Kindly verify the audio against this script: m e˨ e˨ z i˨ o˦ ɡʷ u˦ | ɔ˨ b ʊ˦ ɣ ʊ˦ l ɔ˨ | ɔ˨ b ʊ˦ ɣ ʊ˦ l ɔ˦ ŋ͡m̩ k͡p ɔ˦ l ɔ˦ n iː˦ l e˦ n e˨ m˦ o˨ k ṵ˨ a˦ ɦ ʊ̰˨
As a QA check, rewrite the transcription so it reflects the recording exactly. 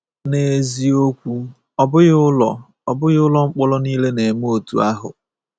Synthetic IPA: n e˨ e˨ z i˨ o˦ kʷ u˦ | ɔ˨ b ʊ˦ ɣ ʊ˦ l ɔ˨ | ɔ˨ b ʊ˦ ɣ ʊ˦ l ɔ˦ ŋ͡m̩ k͡p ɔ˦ l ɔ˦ n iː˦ l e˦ n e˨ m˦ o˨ t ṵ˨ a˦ ɦ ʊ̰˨